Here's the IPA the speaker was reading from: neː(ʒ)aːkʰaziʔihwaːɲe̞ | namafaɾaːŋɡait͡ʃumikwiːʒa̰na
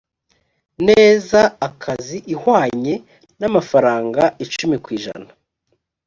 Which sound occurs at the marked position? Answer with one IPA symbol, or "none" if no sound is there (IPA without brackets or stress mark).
z